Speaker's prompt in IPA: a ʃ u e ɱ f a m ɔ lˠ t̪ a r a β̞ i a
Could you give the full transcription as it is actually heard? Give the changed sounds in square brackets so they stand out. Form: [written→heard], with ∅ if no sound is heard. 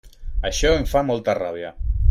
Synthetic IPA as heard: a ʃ [u→ɔ] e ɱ f a m ɔ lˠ t̪ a r a β̞ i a

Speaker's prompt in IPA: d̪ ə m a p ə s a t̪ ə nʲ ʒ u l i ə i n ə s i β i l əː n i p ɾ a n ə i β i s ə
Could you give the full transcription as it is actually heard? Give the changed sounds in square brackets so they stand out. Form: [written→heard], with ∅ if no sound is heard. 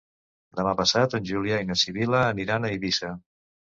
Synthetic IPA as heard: d̪ ə m a p ə s a t̪ ə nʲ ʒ u l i [ə→a] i n ə s i β i l əː n i [p→∅] ɾ a n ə i β i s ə

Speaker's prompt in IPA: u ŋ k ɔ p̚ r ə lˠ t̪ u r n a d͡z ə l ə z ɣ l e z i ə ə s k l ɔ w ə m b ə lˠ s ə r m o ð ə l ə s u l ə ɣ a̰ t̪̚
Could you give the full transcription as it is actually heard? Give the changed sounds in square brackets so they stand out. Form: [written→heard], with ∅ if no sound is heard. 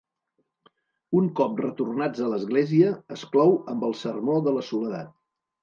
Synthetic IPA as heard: u ŋ k ɔ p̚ r ə [lˠ→∅] t̪ u r n a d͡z ə l ə z ɣ l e z i ə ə s k l ɔ w ə m b ə lˠ s ə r m o ð ə l ə s u l ə [ɣ→ð] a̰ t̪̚

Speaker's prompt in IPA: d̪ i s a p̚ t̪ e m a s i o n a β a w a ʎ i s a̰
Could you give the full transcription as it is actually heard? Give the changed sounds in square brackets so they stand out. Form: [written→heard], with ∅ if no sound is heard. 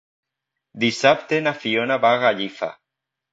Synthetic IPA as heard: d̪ i s a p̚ t̪ e [m→n] a [s→f] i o n a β a [w→ɣ] a ʎ i [s→f] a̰

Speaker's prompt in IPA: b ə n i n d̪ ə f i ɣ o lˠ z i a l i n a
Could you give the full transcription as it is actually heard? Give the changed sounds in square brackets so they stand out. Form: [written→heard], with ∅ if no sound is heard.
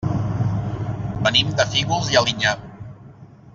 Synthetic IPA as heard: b ə n i [n→m] d̪ ə f i ɣ [o→u] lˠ z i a l i [n→ɲ] a

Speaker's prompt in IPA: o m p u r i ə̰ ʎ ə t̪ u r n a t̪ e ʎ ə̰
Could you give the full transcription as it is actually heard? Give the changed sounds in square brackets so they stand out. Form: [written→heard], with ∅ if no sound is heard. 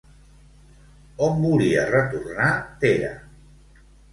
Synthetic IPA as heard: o m [p→b] u [r→l] i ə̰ [ʎ→r] ə t̪ u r n a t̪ e [ʎ→ɾ] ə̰

